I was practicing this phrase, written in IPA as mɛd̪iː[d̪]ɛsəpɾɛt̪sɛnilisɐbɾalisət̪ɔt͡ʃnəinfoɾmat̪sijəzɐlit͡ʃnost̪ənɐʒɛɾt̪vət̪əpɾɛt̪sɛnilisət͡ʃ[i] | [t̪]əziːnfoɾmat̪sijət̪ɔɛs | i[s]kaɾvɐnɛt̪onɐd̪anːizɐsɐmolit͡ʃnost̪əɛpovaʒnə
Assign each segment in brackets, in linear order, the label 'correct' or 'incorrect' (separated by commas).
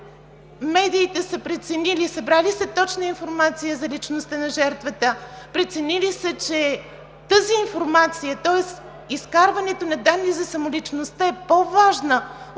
incorrect, incorrect, correct, correct